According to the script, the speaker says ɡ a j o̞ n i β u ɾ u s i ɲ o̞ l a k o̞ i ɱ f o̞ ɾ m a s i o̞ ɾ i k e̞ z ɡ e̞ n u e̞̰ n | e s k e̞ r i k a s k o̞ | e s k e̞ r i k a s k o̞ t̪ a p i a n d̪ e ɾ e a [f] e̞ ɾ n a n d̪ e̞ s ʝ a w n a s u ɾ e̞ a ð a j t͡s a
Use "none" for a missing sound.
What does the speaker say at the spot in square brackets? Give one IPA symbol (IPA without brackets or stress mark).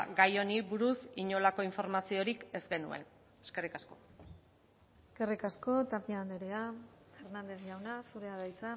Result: f